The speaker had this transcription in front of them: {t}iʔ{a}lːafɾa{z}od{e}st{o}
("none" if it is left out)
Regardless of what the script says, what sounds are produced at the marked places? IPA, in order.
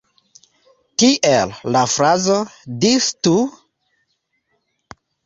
t, e, z, i, u

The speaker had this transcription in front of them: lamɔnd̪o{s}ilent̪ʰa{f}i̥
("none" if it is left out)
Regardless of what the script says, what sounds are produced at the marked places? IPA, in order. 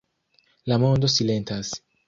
s, s

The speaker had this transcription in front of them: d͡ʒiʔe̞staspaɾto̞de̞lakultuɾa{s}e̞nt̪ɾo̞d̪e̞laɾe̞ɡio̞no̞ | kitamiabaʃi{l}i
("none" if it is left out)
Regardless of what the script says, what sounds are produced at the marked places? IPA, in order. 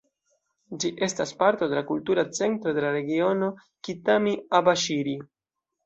t͡s, ɾ

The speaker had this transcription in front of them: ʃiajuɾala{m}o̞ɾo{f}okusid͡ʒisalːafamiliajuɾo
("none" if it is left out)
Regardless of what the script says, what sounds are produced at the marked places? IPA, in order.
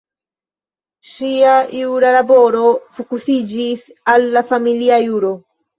b, f

